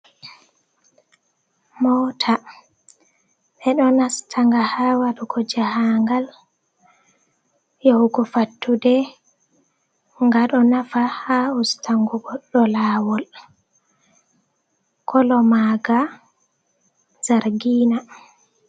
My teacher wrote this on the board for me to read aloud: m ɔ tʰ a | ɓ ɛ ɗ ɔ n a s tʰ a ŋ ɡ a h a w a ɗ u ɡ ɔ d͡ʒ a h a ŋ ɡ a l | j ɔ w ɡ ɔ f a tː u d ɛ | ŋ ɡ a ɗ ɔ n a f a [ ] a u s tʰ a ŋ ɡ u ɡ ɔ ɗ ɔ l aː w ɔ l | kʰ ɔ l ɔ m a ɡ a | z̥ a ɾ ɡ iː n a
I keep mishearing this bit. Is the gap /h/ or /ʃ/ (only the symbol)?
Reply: h